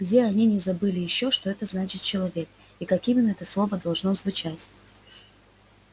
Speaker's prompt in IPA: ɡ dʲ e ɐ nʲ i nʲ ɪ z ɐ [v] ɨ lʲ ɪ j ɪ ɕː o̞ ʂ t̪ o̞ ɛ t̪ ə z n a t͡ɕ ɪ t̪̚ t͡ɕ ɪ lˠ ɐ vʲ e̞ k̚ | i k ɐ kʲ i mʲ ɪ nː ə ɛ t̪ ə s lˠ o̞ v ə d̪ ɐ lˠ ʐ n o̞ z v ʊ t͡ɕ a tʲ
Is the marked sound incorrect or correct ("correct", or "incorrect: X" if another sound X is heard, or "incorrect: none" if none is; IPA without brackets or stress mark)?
incorrect: b